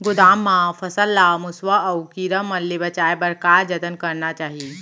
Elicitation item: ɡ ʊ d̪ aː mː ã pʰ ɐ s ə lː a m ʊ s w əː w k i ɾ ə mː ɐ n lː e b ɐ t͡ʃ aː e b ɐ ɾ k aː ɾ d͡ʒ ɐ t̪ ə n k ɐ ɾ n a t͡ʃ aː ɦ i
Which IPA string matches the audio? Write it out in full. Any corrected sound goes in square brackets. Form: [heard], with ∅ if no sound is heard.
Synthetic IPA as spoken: ɡ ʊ d̪ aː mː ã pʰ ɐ s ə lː a m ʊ s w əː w k i ɾ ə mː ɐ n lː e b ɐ t͡ʃ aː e b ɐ ɾ k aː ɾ d͡ʒ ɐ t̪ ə n k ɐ ɾ n a t͡ʃ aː ɦ i

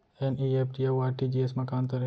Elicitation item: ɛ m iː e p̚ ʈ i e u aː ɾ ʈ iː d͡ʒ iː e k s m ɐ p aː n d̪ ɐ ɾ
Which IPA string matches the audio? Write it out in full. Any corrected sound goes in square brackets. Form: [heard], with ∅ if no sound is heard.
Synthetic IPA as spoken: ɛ [n] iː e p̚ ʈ i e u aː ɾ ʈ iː d͡ʒ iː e [∅] s m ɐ [k] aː n [t̪] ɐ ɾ

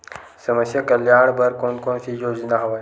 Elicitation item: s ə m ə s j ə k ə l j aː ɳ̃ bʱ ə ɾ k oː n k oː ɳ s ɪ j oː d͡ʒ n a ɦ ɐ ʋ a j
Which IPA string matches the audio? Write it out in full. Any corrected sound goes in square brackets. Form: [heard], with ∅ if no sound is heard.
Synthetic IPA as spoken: s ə m ə s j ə k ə l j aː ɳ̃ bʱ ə ɾ k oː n k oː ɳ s [i] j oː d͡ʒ n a ɦ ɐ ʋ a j

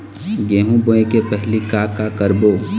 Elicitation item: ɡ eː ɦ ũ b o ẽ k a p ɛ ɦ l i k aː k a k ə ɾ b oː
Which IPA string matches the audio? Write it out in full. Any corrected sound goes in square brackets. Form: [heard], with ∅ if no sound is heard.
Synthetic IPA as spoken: ɡ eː ɦ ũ b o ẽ k [e] p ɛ ɦ l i k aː k a k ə ɾ b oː

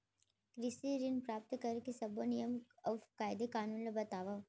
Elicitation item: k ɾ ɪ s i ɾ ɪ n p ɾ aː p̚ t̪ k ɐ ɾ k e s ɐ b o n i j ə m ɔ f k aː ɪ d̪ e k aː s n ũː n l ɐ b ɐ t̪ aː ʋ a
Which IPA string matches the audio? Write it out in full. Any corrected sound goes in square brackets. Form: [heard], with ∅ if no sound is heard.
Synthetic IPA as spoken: k ɾ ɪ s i ɾ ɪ n p ɾ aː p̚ t̪ k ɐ ɾ k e s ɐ b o n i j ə m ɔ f k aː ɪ d̪ e k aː [∅] n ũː n l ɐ b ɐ t̪ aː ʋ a

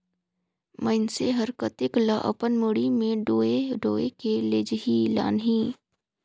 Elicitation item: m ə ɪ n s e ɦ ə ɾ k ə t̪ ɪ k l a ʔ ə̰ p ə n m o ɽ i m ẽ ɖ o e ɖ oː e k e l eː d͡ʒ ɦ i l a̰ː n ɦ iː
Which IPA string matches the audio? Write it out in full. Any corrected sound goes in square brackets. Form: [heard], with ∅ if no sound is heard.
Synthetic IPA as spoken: m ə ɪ n s e ɦ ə ɾ k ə t̪ ɪ k l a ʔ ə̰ p ə n m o ɽ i m ẽ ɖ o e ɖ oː e k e l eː d͡ʒ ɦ i l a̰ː n ɦ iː

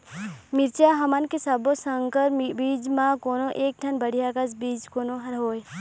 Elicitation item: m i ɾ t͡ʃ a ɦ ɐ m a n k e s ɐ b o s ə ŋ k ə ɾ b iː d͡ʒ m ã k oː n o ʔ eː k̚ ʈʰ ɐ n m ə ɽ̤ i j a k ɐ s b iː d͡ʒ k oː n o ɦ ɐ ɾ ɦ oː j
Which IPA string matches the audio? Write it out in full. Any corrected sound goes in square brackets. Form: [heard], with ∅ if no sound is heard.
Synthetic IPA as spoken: m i ɾ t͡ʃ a ɦ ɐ m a n k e s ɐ b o s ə ŋ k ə ɾ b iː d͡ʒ m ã k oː n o ʔ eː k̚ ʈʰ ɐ n [b] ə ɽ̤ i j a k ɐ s b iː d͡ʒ k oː n o ɦ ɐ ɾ ɦ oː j

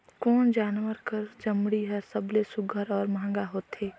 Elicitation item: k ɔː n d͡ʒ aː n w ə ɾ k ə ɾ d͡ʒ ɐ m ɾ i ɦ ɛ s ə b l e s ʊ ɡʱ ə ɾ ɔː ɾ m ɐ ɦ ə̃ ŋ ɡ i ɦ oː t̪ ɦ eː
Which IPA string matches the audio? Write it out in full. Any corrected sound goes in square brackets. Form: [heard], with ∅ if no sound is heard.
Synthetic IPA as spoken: k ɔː n d͡ʒ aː n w ə ɾ k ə ɾ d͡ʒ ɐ m [ɽ] i ɦ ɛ s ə b l e s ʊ ɡʱ ə ɾ ɔː ɾ m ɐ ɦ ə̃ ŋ ɡ [a] ɦ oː t̪ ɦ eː

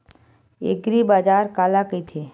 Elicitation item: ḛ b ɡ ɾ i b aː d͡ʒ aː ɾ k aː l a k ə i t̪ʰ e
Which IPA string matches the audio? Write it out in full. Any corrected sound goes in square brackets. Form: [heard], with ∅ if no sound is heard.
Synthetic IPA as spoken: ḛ [∅] ɡ ɾ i b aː d͡ʒ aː ɾ k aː l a k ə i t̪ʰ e

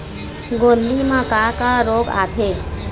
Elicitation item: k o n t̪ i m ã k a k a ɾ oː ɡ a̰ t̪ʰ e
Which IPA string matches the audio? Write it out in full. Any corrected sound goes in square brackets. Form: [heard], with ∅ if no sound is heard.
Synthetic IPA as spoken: [ɡ] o n [d̪] i m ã k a k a ɾ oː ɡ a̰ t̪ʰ e

